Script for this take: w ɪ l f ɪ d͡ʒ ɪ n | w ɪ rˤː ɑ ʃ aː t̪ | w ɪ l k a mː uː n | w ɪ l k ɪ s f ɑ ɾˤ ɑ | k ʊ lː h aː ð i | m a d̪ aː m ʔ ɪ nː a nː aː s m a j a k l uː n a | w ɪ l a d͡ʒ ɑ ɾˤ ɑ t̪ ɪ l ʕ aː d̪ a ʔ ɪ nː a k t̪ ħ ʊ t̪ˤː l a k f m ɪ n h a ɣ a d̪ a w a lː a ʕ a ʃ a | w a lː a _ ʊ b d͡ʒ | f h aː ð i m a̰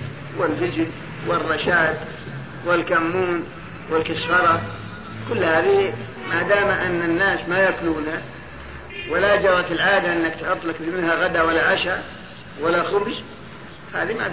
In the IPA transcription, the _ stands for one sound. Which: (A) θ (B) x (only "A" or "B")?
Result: B